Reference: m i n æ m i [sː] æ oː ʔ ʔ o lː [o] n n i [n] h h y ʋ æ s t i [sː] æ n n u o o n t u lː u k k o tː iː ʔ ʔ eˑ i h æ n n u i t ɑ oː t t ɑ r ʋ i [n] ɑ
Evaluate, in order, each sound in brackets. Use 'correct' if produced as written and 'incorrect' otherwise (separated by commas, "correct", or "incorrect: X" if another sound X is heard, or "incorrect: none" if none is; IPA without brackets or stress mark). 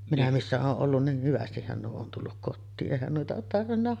correct, incorrect: u, incorrect: none, incorrect: hː, incorrect: nː